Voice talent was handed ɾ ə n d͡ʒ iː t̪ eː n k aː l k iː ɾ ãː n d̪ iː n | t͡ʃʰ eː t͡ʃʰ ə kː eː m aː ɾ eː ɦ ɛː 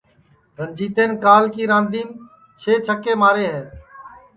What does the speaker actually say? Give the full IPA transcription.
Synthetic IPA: ɾ ə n d͡ʒ iː t̪ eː n k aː l k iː ɾ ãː n d̪ iː n | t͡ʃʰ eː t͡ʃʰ ə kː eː m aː ɾ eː ɦ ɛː

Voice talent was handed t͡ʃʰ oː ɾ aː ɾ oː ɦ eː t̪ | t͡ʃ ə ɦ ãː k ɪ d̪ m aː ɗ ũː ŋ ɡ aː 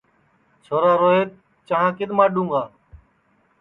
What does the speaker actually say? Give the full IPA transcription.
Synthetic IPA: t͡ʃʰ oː ɾ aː ɾ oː ɦ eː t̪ | t͡ʃ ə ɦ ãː k ɪ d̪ m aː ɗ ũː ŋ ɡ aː

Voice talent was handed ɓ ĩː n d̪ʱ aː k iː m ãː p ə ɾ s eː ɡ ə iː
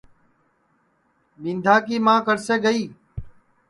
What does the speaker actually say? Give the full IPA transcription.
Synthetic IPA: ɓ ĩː n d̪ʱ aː k iː m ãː k ə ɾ s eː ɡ ə iː

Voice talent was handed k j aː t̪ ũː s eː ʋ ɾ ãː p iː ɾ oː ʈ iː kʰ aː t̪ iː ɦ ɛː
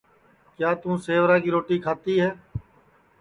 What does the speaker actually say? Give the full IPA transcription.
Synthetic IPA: k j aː t̪ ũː s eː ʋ ɾ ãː k iː ɾ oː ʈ iː kʰ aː t̪ iː ɦ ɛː

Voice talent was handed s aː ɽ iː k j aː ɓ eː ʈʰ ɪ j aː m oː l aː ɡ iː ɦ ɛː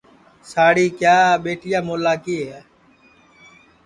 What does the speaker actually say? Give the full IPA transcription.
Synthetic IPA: s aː ɽ iː k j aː ɓ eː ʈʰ ɪ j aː m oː l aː k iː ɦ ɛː

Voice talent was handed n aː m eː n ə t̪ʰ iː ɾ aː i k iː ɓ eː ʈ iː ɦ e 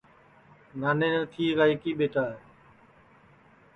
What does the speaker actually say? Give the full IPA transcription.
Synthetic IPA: n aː n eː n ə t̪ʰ iː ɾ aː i k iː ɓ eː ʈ aː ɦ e

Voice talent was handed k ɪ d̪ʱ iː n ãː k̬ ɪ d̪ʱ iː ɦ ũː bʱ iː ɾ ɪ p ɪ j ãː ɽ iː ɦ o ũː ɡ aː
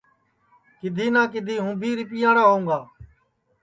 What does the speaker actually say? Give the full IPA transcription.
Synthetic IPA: k ɪ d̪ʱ iː n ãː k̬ ɪ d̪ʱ iː ɦ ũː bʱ iː ɾ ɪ p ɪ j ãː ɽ aː ɦ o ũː ɡ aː

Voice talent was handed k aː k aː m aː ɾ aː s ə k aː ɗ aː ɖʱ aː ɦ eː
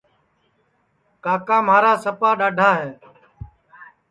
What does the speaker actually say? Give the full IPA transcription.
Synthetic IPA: k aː k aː m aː ɾ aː s ə p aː ɗ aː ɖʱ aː ɦ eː

